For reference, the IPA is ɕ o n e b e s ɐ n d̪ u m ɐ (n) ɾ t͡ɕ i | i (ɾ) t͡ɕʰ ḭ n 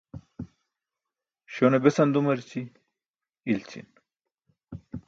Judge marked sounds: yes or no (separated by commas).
no, no